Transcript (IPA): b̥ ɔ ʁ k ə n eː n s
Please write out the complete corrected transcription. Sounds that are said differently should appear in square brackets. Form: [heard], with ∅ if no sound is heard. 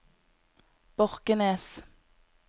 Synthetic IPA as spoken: b̥ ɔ ʁ k ə n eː [∅] s